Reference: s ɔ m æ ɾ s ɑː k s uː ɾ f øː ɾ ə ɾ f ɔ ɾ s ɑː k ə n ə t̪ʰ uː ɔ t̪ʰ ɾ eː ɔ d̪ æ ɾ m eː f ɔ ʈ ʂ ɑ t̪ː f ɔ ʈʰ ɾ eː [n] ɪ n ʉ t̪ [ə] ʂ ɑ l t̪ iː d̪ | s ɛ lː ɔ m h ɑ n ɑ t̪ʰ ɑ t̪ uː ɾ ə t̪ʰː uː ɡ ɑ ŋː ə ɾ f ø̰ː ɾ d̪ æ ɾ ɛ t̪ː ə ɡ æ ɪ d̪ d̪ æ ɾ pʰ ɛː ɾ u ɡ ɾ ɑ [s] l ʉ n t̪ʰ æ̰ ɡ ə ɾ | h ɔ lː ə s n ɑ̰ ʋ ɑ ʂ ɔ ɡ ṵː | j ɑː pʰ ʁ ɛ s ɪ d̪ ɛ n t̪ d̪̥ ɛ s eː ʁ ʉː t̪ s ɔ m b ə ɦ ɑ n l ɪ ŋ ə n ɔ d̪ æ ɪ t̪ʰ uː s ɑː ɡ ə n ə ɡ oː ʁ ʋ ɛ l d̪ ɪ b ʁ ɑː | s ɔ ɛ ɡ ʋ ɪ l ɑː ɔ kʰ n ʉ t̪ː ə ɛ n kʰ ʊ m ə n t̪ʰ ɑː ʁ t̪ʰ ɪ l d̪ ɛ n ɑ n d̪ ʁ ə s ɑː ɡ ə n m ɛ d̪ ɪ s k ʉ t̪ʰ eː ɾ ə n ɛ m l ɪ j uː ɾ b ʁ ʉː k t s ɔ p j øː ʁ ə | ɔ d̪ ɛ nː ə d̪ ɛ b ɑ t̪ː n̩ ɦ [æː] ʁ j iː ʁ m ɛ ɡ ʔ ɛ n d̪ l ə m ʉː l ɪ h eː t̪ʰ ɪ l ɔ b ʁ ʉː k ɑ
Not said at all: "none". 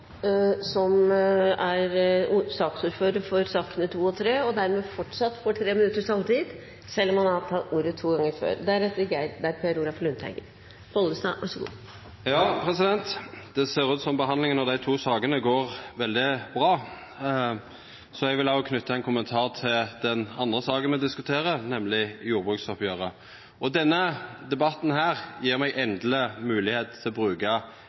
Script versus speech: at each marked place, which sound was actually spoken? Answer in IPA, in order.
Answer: m, ə, f, æː

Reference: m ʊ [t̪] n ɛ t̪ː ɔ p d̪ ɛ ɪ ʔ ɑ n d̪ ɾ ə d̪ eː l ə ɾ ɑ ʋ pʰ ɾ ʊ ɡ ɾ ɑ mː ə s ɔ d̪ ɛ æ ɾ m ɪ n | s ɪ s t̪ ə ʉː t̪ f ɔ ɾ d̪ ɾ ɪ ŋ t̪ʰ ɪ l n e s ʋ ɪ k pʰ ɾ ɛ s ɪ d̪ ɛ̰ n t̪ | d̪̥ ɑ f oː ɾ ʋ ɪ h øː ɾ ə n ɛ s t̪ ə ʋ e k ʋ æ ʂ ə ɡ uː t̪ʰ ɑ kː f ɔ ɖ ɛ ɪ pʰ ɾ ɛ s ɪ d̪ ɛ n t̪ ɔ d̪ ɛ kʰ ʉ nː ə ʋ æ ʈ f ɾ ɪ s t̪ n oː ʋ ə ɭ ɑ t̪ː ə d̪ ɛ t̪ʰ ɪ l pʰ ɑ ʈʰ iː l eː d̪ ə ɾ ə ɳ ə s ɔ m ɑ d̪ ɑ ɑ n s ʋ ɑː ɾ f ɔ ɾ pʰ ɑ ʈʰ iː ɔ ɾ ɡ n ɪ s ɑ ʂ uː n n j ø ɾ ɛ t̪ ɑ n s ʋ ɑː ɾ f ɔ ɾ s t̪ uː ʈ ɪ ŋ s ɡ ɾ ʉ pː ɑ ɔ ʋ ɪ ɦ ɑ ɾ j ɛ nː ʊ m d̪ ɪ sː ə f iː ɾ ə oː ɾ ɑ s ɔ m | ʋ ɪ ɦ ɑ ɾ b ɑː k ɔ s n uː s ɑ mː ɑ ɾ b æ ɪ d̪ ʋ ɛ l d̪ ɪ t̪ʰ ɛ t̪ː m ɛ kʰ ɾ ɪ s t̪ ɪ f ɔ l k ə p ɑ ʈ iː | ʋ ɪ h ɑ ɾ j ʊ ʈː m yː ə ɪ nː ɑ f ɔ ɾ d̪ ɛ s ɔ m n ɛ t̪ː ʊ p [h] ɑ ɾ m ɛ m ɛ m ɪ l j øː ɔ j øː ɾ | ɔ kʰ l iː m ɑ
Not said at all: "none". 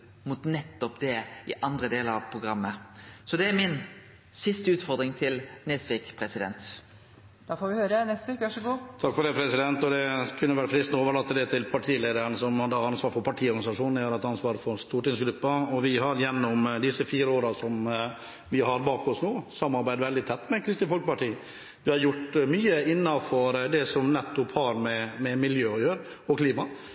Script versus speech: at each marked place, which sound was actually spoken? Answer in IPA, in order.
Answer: t̪, h

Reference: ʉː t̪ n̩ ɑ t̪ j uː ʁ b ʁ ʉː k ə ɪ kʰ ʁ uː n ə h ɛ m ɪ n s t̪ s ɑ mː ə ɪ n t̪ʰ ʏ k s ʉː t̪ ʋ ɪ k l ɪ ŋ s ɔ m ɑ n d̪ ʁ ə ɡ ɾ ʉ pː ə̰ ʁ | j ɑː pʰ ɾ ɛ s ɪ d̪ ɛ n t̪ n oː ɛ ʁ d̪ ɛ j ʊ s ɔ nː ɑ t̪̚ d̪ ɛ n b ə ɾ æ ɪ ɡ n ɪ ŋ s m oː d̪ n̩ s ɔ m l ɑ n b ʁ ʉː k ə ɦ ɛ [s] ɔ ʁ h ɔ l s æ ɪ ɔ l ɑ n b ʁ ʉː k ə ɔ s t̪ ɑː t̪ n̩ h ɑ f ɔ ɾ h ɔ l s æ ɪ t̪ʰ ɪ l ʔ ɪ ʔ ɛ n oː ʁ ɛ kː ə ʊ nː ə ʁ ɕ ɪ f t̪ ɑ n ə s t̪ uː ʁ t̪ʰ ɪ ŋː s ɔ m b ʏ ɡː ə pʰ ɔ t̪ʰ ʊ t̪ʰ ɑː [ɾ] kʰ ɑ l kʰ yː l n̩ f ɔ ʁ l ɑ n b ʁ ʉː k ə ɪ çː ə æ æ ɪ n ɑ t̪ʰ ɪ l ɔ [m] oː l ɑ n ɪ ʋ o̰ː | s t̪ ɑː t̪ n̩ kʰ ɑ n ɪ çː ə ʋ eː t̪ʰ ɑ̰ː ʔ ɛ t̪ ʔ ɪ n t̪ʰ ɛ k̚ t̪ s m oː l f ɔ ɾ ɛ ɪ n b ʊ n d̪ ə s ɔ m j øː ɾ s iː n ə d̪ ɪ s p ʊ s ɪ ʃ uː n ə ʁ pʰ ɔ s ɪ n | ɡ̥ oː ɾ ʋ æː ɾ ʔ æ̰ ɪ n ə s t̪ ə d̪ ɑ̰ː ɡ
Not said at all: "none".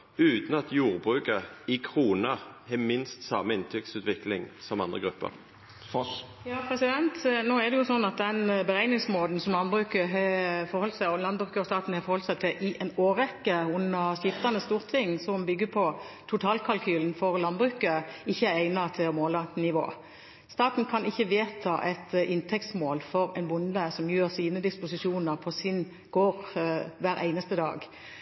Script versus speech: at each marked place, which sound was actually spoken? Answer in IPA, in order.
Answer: f, l, m

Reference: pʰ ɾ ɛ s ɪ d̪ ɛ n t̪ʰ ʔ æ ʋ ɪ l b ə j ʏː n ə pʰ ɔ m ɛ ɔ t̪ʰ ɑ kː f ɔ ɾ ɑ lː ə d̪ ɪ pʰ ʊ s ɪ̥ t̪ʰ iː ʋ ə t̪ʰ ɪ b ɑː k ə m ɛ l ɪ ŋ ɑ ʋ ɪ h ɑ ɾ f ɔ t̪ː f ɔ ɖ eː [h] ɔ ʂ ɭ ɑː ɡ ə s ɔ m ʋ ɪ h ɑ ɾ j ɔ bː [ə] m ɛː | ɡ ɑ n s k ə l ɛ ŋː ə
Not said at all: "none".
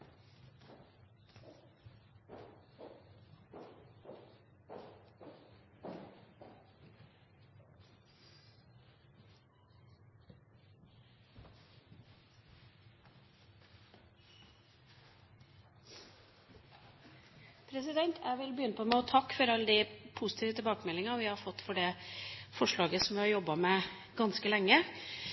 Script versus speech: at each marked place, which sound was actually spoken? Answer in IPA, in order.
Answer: f, ɑ

